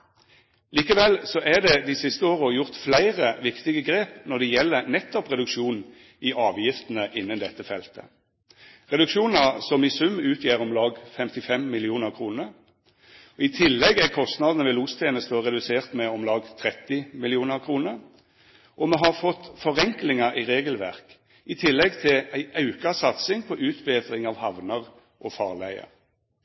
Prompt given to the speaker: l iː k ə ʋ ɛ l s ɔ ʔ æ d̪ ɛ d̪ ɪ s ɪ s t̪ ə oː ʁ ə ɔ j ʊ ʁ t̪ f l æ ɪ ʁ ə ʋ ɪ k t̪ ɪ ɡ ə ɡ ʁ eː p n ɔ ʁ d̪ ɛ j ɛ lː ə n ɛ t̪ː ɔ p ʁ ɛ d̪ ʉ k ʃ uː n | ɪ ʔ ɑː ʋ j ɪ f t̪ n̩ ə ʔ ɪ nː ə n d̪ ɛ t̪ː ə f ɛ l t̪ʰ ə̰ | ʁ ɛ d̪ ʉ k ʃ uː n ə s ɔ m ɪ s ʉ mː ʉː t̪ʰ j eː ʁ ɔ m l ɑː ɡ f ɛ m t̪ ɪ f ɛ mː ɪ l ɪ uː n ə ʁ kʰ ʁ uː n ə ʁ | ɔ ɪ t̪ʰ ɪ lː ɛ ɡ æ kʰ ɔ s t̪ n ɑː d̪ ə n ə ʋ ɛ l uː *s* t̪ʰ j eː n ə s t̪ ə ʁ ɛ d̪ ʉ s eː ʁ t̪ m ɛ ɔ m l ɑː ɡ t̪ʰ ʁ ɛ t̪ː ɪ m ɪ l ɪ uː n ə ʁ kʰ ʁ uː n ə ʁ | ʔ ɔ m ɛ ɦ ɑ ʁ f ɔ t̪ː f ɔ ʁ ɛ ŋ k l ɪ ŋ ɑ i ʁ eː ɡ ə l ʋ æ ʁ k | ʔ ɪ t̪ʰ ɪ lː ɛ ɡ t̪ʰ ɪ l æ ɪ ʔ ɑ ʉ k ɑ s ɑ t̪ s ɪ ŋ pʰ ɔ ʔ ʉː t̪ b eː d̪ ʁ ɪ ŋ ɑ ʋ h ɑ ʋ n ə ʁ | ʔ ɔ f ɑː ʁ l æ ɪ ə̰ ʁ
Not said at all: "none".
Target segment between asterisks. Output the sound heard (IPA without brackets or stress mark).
s